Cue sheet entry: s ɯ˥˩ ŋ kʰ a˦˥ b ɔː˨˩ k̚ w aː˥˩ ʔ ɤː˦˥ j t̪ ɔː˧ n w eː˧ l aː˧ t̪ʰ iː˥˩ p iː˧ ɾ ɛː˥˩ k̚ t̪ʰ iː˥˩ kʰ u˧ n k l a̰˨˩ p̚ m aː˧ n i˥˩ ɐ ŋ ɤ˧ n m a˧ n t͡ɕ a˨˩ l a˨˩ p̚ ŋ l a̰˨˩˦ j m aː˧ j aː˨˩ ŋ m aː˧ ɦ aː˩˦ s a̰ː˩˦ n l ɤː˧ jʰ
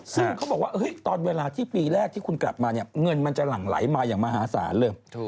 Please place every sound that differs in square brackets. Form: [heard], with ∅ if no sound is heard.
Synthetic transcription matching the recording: s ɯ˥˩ ŋ kʰ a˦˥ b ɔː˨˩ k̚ w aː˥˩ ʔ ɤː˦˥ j t̪ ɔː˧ n w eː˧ l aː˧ t̪ʰ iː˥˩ p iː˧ ɾ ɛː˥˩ k̚ t̪ʰ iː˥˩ kʰ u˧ n k l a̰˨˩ p̚ m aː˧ n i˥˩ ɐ ŋ ɤ˧ n m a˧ n t͡ɕ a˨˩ l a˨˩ [∅] ŋ l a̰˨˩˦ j m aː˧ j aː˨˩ ŋ m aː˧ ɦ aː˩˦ s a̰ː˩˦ n l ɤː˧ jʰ